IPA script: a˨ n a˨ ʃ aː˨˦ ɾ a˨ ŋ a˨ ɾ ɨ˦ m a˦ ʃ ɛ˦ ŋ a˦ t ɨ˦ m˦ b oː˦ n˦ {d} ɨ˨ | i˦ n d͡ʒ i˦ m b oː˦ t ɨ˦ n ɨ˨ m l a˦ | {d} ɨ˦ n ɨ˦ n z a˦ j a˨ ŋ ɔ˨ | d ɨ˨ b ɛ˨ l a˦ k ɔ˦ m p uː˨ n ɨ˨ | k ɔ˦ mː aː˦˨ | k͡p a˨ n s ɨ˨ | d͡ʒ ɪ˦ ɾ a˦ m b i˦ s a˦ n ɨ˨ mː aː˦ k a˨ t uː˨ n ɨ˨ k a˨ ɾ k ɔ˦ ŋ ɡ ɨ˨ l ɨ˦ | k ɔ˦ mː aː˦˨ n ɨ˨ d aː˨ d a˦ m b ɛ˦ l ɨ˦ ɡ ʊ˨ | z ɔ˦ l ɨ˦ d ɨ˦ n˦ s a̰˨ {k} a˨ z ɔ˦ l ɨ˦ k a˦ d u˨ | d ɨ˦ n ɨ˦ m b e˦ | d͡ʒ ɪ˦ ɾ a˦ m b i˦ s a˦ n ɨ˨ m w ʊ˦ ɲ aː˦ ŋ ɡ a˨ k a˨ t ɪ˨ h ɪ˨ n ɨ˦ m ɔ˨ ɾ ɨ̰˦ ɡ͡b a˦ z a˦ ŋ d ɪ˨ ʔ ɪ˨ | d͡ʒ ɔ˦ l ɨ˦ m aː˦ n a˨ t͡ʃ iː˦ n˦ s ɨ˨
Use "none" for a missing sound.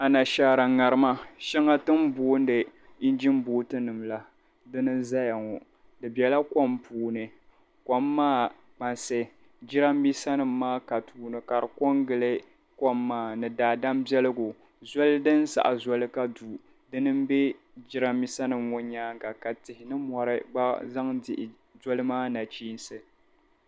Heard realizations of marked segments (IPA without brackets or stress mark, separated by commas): d, d, ʔ